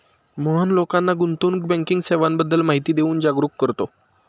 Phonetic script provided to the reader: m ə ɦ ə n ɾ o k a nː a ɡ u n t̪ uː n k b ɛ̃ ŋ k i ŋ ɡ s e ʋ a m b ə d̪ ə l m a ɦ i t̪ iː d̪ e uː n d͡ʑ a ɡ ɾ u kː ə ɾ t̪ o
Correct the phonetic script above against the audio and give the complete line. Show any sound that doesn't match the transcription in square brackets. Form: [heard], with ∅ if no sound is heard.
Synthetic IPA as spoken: m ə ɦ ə n [l] o k a nː a ɡ u n t̪ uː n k b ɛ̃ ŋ k i ŋ ɡ s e ʋ a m b ə [d̪ː] ə l m a ɦ i t̪ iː d̪ e uː n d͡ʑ a ɡ ɾ u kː ə ɾ t̪ o